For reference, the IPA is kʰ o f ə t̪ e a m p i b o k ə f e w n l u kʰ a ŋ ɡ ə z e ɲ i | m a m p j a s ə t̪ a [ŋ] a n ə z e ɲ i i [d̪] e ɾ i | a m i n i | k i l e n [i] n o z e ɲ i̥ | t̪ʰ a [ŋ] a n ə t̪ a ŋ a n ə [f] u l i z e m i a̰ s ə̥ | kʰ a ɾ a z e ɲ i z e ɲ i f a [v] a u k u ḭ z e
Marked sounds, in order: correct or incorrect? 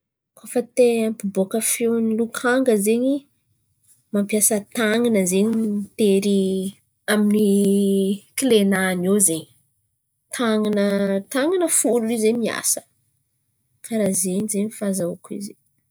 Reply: correct, incorrect: t̪, incorrect: a, correct, correct, incorrect: z

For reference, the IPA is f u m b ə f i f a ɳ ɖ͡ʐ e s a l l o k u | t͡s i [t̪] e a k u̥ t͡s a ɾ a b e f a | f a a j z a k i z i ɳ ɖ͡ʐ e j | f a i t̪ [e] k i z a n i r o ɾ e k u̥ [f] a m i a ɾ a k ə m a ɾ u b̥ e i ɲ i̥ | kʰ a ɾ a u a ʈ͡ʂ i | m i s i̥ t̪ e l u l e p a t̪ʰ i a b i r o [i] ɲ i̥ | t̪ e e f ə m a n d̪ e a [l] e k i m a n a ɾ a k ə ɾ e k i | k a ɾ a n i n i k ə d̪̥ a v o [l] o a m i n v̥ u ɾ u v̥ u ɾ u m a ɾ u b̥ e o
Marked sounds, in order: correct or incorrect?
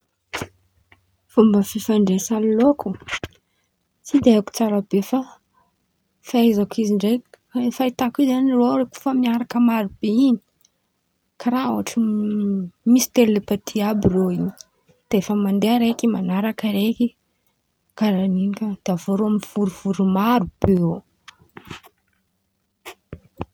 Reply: incorrect: d̪, incorrect: a, correct, correct, incorrect: ɾ, incorrect: ɾ

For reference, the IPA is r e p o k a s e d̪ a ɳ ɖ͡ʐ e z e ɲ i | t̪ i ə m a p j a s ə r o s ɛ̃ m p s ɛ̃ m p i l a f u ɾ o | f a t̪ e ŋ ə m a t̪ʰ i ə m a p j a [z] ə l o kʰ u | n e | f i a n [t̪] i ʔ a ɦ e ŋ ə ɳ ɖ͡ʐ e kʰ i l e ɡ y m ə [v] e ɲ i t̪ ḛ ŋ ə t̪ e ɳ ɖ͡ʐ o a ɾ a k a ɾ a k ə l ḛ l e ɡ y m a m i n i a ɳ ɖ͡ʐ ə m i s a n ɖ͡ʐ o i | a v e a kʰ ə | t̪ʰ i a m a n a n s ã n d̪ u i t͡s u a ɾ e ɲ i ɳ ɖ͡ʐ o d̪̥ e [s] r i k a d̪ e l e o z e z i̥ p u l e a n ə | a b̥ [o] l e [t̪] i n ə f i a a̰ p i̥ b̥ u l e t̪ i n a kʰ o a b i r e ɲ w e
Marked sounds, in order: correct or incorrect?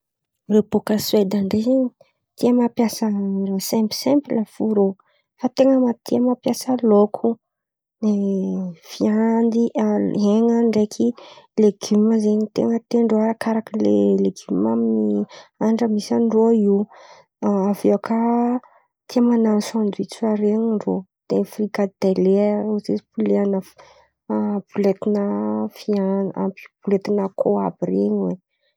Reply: incorrect: s, incorrect: d̪, incorrect: z, incorrect: f, incorrect: u, correct

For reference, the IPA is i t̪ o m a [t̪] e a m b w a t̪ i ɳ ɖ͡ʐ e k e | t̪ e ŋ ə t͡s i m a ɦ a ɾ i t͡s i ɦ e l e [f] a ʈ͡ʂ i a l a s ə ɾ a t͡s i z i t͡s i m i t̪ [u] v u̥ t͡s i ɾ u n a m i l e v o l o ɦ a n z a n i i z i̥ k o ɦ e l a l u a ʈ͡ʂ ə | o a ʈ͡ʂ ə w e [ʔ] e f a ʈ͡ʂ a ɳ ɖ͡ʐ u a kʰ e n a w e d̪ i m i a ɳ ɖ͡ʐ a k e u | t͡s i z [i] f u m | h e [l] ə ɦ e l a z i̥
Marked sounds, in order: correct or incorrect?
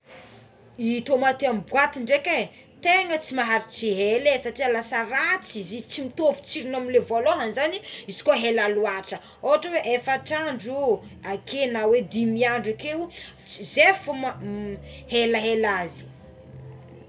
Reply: correct, incorrect: s, incorrect: o, correct, incorrect: e, correct

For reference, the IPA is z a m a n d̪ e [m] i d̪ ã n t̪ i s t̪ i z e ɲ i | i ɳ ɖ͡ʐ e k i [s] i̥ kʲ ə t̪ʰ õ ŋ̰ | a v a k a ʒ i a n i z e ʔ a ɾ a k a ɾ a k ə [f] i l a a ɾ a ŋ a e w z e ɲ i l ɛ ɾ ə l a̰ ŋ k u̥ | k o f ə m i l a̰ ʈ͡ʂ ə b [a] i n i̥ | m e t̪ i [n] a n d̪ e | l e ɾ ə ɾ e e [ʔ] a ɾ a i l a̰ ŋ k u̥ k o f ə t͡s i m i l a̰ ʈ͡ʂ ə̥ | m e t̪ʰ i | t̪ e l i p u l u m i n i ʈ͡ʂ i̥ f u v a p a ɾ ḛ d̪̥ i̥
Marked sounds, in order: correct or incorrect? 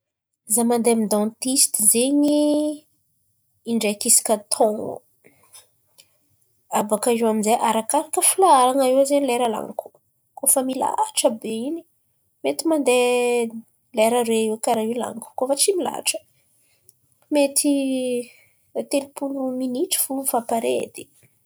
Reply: correct, correct, correct, incorrect: e, incorrect: m, incorrect: k

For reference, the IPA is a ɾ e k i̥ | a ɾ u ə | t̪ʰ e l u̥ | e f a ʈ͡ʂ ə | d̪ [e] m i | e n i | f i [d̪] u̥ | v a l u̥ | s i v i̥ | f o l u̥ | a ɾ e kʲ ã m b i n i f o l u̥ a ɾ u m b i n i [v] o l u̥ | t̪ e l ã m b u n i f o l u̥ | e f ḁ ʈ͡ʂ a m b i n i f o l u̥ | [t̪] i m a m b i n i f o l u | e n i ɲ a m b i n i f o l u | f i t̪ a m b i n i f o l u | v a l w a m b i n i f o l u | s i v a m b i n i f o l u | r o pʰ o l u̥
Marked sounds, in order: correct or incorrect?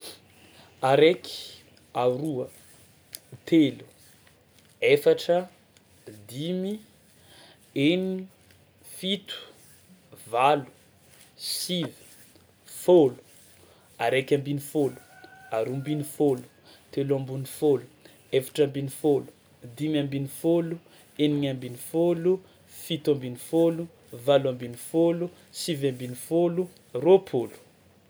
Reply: incorrect: i, incorrect: t̪, incorrect: f, incorrect: d̪

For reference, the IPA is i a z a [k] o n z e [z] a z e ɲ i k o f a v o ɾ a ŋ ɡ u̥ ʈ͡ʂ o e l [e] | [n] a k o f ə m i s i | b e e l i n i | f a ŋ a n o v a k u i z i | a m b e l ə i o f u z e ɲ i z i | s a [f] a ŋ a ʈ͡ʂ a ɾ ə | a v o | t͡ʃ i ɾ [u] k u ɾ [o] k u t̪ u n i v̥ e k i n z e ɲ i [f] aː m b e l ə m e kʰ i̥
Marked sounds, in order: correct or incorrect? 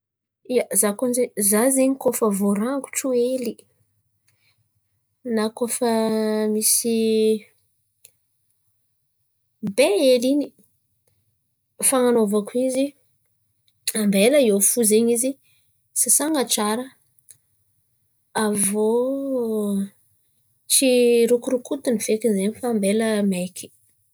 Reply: correct, correct, incorrect: i, correct, incorrect: s, correct, incorrect: u, correct

